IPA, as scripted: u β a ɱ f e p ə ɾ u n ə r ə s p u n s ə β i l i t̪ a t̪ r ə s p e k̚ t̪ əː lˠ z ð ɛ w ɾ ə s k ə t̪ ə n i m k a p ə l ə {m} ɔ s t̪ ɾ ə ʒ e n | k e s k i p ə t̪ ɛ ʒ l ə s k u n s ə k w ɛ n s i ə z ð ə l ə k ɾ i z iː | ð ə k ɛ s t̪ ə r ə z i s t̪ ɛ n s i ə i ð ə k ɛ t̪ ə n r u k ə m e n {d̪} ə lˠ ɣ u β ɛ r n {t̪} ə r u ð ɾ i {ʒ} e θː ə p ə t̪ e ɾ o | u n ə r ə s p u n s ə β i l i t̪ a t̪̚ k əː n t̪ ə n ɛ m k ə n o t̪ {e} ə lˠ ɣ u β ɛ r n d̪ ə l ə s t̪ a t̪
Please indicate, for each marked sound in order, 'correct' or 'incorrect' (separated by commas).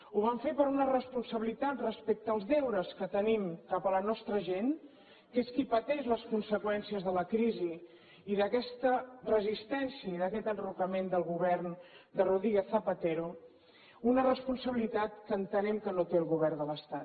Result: incorrect, correct, incorrect, incorrect, correct